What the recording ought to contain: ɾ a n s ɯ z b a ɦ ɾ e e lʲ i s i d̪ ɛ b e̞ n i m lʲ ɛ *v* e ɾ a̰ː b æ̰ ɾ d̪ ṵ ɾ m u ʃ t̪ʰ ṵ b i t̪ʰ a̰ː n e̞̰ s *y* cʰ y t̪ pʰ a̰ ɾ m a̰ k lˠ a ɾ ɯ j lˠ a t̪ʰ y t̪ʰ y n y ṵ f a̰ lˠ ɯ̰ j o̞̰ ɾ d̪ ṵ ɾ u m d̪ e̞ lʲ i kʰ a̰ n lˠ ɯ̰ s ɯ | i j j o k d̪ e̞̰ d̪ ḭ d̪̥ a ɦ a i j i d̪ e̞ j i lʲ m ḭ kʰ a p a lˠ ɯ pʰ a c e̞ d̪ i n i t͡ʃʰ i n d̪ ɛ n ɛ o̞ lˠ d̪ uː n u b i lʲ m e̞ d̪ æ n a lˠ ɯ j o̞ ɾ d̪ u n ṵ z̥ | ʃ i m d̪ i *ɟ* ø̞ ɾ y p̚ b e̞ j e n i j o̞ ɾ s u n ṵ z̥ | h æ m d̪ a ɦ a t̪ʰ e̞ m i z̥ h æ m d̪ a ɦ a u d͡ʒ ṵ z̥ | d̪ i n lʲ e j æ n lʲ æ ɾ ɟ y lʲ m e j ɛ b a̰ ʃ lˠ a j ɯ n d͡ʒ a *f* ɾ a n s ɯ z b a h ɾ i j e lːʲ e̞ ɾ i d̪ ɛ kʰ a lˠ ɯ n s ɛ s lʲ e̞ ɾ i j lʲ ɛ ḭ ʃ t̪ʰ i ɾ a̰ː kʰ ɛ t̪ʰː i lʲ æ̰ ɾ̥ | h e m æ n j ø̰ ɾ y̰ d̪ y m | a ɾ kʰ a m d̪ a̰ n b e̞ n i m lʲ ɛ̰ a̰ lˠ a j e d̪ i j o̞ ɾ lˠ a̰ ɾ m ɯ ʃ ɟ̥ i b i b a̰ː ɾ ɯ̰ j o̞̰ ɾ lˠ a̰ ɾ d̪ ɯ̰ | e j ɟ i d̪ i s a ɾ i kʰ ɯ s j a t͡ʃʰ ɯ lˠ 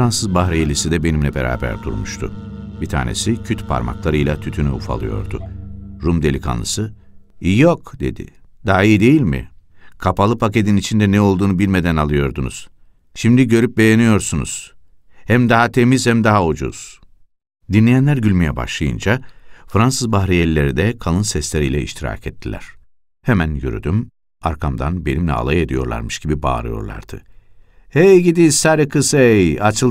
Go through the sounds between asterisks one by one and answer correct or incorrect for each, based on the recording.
incorrect, incorrect, correct, correct

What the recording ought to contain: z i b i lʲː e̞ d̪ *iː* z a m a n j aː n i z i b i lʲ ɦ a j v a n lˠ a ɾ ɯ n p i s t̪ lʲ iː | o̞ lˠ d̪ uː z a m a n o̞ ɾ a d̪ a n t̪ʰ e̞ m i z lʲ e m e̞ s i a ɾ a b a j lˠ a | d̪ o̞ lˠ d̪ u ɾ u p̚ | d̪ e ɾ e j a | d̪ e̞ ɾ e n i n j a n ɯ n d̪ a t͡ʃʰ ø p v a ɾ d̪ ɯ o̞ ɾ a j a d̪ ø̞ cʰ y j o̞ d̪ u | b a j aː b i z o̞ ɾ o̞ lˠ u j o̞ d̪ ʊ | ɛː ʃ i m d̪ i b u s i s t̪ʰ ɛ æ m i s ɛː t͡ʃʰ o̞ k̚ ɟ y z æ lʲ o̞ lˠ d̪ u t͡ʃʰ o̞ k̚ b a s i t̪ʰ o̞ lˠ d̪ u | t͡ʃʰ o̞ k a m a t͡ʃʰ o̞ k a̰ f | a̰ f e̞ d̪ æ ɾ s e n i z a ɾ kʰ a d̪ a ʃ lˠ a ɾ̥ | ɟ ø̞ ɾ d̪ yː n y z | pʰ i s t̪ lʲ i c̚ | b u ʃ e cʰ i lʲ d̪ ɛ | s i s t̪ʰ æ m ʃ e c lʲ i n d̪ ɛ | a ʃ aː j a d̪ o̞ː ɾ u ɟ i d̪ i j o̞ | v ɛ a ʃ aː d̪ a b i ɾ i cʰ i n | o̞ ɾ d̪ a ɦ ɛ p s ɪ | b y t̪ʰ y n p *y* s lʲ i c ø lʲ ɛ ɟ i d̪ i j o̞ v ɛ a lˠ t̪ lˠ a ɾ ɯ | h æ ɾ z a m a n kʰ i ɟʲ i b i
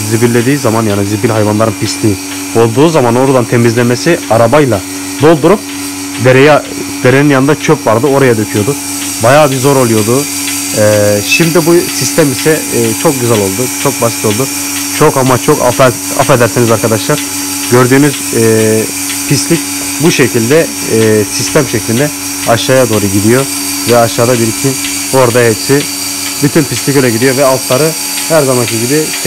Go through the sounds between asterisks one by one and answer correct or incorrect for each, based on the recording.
correct, incorrect

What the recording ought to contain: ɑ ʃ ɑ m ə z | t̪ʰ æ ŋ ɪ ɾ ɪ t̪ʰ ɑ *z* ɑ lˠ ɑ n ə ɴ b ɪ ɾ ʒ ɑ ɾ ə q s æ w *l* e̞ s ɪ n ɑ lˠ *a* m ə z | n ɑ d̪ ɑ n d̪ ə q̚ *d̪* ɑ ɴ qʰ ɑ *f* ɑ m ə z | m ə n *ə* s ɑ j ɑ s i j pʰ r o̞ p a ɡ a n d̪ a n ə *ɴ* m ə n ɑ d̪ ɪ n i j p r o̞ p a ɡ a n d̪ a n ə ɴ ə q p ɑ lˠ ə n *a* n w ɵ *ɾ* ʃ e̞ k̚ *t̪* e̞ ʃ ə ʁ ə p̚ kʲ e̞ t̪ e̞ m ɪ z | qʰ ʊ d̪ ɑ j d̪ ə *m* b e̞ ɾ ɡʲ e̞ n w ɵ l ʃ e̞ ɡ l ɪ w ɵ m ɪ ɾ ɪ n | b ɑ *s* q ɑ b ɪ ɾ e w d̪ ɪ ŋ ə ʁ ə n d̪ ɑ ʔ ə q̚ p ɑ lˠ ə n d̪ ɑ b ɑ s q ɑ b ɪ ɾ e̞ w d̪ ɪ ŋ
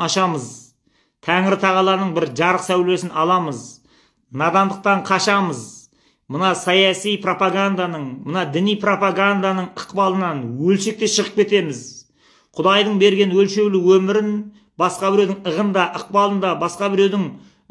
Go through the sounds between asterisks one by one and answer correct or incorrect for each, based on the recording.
incorrect, correct, incorrect, incorrect, incorrect, incorrect, correct, incorrect, incorrect, correct, incorrect, correct

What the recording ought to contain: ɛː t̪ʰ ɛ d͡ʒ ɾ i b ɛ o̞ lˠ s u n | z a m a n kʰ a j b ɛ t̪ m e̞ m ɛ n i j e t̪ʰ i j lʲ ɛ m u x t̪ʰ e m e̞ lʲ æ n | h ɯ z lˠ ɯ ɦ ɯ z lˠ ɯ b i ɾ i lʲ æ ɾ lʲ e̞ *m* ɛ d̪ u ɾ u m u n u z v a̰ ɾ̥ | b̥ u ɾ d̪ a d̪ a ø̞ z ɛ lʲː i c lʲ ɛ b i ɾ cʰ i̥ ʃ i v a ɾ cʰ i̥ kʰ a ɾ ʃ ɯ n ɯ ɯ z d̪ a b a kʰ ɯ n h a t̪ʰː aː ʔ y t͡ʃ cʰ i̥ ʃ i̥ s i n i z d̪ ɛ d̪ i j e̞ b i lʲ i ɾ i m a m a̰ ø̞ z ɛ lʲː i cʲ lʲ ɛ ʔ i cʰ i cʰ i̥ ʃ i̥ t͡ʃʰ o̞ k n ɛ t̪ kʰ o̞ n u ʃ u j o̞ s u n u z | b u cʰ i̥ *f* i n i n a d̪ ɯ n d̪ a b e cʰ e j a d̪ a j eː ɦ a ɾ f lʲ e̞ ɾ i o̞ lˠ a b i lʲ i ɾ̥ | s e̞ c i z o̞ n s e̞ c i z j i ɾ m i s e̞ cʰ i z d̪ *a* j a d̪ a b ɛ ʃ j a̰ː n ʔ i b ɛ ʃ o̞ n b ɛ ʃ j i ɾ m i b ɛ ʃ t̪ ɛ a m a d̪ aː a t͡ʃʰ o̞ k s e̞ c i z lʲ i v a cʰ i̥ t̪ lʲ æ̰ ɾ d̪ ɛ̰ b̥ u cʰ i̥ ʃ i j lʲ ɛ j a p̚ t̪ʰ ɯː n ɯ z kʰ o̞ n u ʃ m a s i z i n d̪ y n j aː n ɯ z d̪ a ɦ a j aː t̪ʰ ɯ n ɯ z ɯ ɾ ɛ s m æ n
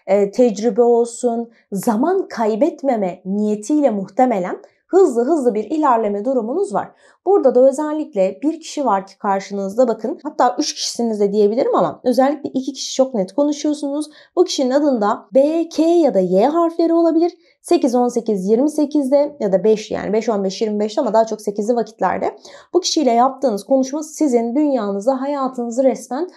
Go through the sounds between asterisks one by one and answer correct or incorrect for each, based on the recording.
correct, incorrect, incorrect

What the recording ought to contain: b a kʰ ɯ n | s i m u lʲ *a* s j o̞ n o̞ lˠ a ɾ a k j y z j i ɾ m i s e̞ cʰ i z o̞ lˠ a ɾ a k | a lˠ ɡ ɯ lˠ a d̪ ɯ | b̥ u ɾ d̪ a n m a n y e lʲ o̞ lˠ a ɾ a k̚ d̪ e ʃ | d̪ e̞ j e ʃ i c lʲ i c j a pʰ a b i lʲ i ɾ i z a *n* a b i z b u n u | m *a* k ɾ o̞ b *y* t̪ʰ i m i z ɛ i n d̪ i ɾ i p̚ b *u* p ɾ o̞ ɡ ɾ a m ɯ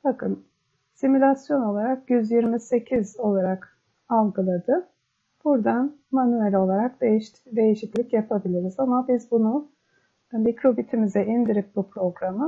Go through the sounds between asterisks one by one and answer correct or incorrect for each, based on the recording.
correct, incorrect, incorrect, incorrect, correct

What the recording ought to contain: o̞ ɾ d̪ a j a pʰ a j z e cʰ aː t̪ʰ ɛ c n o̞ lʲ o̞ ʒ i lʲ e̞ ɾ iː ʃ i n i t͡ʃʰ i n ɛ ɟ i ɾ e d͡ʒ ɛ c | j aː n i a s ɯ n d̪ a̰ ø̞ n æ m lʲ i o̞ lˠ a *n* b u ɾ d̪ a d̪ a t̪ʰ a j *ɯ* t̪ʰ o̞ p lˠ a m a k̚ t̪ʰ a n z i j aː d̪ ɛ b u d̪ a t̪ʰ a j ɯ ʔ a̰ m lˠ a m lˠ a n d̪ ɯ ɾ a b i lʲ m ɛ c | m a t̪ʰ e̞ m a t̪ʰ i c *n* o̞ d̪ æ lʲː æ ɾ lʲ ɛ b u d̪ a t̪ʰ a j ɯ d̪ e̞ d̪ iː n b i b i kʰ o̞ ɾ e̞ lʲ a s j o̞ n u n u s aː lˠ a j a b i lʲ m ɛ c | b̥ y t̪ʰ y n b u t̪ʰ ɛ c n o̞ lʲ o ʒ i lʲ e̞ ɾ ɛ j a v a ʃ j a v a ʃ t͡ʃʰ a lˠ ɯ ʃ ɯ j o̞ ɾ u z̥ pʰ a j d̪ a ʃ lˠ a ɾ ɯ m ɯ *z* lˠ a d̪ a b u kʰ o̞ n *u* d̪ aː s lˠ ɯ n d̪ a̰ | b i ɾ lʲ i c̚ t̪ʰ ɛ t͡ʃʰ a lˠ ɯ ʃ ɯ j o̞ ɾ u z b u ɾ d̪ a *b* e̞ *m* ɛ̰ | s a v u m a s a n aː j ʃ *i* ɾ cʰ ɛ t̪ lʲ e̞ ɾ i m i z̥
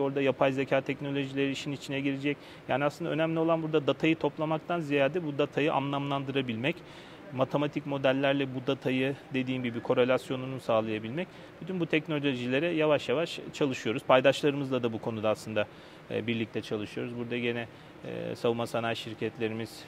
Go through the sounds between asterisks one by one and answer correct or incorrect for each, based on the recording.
correct, correct, incorrect, correct, correct, incorrect, incorrect, correct

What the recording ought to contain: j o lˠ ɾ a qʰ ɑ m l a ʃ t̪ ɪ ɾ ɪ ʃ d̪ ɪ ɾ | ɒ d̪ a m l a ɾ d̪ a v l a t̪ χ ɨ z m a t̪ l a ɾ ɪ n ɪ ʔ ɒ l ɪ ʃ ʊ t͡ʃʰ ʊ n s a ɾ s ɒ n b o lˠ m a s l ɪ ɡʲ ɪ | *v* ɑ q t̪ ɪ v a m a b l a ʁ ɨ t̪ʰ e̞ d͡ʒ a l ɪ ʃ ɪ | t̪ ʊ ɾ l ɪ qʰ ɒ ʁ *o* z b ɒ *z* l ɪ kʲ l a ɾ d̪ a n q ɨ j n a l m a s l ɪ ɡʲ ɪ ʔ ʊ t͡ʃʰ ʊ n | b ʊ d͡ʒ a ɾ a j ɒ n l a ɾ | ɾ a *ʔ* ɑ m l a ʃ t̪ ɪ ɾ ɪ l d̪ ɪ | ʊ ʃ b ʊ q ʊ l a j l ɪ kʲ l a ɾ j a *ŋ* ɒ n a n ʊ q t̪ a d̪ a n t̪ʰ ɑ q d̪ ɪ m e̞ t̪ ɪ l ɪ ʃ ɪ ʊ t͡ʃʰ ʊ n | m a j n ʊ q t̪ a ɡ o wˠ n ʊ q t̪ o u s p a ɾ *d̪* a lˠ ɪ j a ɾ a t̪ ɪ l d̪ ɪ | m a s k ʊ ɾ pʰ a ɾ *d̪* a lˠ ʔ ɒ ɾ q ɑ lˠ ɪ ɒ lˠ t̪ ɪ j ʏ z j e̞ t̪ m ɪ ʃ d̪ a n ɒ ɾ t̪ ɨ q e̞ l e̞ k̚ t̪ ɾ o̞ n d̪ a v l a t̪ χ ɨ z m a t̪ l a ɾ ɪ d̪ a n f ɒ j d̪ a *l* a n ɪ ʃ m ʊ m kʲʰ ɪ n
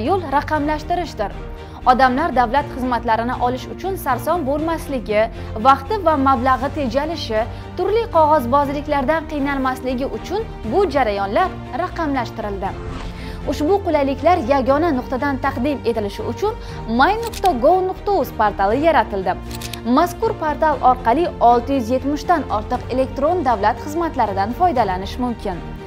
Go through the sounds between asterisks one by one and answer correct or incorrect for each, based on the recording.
correct, incorrect, correct, incorrect, incorrect, incorrect, incorrect, correct

